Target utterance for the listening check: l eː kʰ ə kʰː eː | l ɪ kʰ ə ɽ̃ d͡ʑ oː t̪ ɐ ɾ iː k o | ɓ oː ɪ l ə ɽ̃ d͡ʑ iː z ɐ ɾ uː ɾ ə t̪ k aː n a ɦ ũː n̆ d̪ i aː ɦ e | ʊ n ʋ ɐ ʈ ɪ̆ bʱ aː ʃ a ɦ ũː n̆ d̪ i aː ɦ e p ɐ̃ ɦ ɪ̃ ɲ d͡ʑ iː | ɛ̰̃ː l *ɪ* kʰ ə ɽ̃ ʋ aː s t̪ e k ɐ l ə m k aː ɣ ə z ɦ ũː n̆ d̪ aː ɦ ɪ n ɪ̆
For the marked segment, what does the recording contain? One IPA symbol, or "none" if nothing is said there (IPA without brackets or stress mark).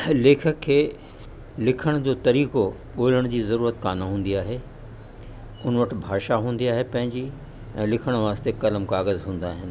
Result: ɪ